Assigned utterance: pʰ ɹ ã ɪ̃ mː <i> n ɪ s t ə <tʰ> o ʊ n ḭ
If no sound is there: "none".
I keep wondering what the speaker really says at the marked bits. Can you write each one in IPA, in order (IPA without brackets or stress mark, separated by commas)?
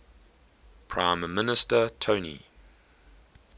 ɪ, tʰ